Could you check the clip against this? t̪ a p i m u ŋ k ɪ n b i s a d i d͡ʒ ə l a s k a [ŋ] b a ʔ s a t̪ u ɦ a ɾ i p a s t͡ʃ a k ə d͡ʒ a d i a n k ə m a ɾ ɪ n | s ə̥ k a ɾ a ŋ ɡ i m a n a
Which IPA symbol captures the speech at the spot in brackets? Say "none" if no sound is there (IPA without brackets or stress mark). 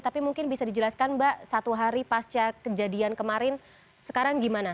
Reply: n